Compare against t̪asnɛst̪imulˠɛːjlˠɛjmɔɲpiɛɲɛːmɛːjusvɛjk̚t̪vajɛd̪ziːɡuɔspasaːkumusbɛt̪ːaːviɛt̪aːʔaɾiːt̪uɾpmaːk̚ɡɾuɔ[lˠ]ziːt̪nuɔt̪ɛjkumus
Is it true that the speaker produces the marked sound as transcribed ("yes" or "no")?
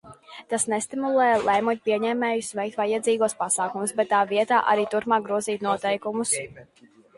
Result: no